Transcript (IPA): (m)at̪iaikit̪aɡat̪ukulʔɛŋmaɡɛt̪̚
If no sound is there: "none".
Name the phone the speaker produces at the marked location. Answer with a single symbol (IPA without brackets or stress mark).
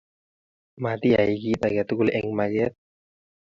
m